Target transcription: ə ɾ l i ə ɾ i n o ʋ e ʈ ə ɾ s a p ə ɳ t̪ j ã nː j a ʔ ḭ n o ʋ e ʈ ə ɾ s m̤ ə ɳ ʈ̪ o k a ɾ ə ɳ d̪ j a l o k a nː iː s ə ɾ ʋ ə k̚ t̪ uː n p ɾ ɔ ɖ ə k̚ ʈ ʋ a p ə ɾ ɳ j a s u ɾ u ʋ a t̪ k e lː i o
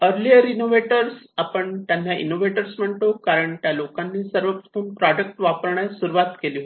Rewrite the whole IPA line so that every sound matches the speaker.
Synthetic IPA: ə ɾ l i ə ɾ i n o ʋ e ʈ ə ɾ s a p ə ɳ t̪ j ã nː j a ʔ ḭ n o ʋ e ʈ ə ɾ s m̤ ə ɳ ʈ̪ o k a ɾ ə ɳ t̪ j a l o k a nː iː s ə ɾ ʋ ə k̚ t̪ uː n p ɾ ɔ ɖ ə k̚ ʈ ʋ a p ə ɾ ɳ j a s u ɾ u ʋ a t̪ k e l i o

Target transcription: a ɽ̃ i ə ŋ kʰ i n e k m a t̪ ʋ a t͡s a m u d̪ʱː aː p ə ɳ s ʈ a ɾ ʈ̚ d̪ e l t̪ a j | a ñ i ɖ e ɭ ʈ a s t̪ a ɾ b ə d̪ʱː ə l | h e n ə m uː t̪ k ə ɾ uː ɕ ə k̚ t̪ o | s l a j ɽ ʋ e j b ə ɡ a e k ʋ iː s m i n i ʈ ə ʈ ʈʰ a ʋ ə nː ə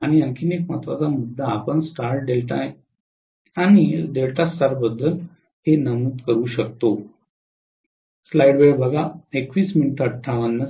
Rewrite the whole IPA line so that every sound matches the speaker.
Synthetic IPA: a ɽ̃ i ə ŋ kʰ i n e k m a t̪ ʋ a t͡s a m u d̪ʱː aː p ə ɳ s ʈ a ɾ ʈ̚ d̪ e l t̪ a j | a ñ i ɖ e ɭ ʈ a s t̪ a ɾ b ə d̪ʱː ə l | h e n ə m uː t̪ k ə ɾ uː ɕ ə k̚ t̪ o | s l a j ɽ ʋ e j b ə ɡ a e k ʋ iː s m i n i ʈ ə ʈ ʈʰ a ʋ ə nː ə

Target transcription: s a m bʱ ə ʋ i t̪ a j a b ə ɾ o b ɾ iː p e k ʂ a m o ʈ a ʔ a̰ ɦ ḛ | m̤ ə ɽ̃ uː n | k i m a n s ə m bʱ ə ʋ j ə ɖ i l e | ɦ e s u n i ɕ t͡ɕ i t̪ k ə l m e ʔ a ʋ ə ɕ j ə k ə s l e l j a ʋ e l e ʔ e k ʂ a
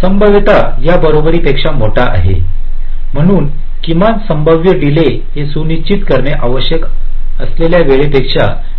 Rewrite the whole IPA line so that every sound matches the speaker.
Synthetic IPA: s ə m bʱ ə ʋ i t̪ a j a b ə ɾ o b ɾ iː p e k ʂ a m o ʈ a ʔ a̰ ɦ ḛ | m̤ ə ɽ̃ uː n | k i m a n s ə m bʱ ə ʋ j ə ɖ i l e | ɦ e s u n i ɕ t͡ɕ i t̪ k ə ɾ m e ʔ a ʋ ə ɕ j ə k ə s l e l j a ʋ e ɭ e p e k ʂ a

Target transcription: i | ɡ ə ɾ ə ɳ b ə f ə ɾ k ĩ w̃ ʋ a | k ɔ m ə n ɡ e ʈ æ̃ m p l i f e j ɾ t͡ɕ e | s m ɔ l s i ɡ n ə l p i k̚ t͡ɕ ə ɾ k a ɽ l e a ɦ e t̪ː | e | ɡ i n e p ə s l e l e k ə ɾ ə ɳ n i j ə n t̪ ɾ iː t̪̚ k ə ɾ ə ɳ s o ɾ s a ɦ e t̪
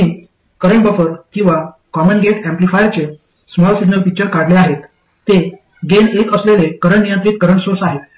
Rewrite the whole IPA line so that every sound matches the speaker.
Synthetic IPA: i | k ə ɾ ə ɳ b ə f ə ɾ k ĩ w̃ ʋ a | k ɔ m ə n ɡ e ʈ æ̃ m p l i f a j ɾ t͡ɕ e | s m ɔ l s i ɡ n ə l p i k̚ t͡ɕ ə ɾ k a ɽ l e a ɦ e t̪ː | e | ɡ e n e k ə s l e l e k ə ɾ ə ɳ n i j ə n t̪ ɾ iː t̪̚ k ə ɾ ə ɳ s o ɾ s a ɦ e t̪

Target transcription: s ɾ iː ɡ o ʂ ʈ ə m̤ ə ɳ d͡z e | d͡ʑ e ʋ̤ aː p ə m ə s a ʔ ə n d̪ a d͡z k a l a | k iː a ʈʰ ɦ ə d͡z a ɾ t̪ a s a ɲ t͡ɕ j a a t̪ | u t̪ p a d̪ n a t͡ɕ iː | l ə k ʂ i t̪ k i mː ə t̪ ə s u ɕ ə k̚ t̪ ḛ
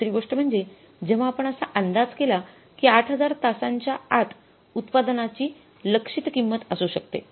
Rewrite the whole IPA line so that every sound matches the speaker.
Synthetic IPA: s ɾ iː ɡ o ʂ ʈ ə m̤ ə ɳ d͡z e | d͡ʑ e ʋ̤ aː p ə ɳ ə s a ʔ ə n d̪ a d͡z k e l a | k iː a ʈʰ ɦ ə d͡z a ɾ t̪ a s a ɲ t͡ɕ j a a t̪ | u t̪ p a d̪ n a t͡ɕ iː | l ə k ʂ i t̪ k i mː ə t̪ ə s u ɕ ə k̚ t̪ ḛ

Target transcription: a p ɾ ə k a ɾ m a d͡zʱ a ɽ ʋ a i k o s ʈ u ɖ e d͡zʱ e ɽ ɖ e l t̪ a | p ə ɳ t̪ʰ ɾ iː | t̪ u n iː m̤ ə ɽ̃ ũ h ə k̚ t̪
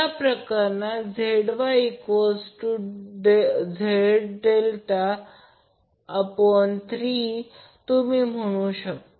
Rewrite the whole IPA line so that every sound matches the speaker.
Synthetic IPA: a p ɾ ə k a ɾ n a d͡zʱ e ɽ ʋ a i k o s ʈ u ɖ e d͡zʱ e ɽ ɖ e l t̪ a | p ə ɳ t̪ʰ ɾ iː | t̪ u m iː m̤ ə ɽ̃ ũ ɕ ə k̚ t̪

